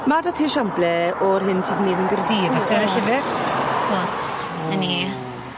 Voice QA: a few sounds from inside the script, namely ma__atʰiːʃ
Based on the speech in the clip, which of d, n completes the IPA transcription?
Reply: d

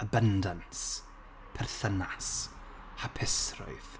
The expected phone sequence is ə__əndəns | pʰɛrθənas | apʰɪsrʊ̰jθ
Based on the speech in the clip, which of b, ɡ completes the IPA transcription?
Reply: b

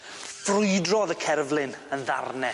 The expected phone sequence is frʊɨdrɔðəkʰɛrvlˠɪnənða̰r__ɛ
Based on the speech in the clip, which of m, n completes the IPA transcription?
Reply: n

